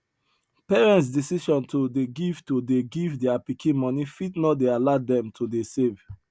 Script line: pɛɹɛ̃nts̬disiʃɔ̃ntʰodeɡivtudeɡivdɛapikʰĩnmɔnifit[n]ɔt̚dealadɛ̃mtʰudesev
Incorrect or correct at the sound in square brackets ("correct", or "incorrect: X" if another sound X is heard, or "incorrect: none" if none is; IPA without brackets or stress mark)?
correct